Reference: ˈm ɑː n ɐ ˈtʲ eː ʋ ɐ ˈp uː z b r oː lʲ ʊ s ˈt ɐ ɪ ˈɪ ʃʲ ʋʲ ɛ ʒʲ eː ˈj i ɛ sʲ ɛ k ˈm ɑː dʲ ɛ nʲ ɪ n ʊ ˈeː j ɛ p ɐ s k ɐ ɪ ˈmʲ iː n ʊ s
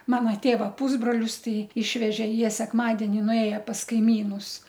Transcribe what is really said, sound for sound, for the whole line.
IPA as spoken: ˈm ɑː n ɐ ˈtʲ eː ʋ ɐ ˈp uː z b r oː lʲ ʊ s ˈt ɐ ɪ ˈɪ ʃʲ ʋʲ ɛ ʒʲ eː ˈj i ɛ sʲ ɛ k ˈm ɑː dʲ ɛ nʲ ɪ n ʊ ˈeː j ɛ p ɐ s k ɐ ɪ ˈmʲ iː n ʊ s